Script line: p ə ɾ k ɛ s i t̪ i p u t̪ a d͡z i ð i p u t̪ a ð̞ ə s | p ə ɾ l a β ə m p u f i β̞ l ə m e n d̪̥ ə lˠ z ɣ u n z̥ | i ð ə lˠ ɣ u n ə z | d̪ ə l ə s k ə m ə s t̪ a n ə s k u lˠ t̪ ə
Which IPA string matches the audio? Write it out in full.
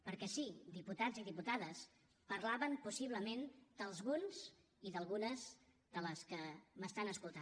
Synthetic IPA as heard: p ə ɾ k ɛ s i d̪ i p u t̪ a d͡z i ð i p u t̪ a ð̞ ə s | p ə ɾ l a β ə m p u s i β̞ l ə m e n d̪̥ ə lˠ z ɣ u n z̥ | i ð ə lˠ ɣ u n ə z | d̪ ə l ə s k ə m ə s t̪ a n ə s k u lˠ t̪ a